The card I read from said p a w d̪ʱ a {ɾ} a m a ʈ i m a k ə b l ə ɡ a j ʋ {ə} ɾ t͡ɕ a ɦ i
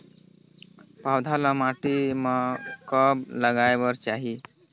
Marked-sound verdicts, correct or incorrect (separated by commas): incorrect, correct